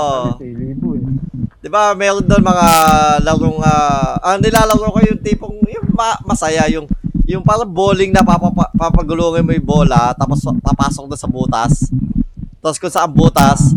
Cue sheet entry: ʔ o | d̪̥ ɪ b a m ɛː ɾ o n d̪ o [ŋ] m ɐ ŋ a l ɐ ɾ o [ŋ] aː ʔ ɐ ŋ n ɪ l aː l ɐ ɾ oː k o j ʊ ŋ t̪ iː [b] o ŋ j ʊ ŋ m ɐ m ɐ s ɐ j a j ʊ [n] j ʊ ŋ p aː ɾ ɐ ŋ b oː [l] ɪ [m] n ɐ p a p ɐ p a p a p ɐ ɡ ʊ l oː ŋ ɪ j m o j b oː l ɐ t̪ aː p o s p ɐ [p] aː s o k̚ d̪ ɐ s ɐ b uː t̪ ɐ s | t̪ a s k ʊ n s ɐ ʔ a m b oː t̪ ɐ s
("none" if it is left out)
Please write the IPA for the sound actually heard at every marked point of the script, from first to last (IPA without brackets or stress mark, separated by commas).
n, ŋ, p, ŋ, l, ŋ, p